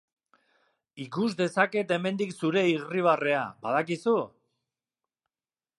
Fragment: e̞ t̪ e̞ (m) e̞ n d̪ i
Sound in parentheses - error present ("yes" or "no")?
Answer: no